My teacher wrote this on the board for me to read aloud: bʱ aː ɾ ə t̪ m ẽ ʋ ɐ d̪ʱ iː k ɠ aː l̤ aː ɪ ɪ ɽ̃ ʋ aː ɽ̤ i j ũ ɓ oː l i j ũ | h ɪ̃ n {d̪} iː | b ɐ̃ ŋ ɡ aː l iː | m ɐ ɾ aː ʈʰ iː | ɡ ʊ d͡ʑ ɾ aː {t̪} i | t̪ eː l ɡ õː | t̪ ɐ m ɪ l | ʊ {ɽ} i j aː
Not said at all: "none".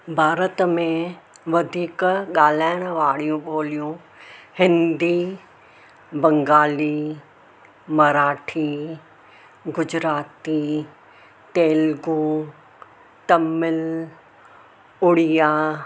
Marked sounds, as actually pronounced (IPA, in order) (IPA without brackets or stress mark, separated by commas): d̪, t̪, ɽ